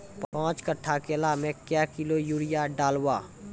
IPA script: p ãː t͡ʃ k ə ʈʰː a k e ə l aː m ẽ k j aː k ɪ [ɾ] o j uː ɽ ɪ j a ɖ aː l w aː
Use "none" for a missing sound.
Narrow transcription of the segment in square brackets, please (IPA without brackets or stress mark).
l